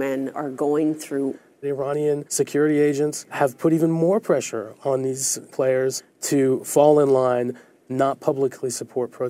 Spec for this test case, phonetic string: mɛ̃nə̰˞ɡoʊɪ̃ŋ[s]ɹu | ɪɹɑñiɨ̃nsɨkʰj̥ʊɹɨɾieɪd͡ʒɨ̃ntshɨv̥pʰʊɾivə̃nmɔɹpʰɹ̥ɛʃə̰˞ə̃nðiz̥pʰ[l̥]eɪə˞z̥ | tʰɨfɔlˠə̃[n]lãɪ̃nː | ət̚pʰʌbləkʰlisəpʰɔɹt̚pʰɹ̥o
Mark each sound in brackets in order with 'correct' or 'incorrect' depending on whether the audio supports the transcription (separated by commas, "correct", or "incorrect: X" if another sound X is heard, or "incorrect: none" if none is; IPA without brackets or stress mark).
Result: incorrect: θ, correct, correct